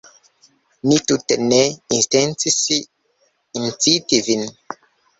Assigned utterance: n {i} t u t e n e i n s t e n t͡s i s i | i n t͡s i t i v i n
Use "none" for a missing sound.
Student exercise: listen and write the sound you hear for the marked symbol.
i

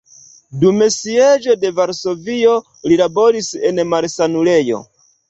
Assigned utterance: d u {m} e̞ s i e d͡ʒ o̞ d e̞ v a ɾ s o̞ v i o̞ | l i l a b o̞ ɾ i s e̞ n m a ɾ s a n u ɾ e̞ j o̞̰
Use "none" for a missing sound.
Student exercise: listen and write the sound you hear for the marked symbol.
m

